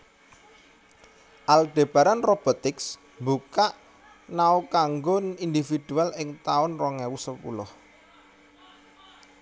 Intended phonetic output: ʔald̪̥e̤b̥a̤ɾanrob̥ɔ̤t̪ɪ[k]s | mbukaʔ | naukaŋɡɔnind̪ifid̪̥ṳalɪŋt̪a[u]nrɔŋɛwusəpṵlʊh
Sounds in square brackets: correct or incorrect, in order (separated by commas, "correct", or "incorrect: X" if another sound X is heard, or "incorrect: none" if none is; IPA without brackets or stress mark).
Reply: correct, incorrect: ʊ